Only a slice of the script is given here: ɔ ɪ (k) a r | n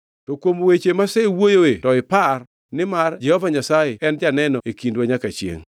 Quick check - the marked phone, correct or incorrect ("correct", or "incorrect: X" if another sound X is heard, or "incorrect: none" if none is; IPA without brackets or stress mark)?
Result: incorrect: p